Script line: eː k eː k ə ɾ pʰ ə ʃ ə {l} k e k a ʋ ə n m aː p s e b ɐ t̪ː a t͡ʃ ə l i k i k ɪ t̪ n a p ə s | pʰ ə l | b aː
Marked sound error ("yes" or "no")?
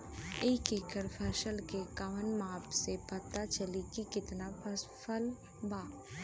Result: no